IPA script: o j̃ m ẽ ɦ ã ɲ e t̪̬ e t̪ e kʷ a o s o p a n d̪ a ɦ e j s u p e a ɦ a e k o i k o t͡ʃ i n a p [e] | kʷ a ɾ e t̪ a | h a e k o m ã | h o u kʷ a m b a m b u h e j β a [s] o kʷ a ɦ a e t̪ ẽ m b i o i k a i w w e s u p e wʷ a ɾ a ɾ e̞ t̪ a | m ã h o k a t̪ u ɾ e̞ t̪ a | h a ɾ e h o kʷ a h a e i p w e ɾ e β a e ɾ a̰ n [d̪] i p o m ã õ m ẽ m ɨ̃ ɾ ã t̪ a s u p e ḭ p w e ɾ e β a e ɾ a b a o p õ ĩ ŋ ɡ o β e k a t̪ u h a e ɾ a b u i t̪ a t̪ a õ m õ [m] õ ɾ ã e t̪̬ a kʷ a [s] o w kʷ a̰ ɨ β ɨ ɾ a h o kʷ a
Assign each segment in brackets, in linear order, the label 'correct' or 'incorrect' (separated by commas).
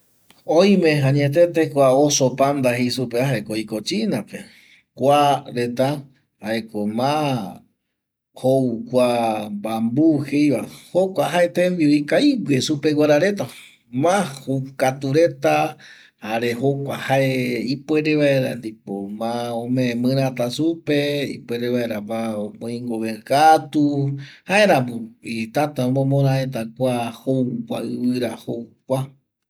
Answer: correct, incorrect, correct, correct, incorrect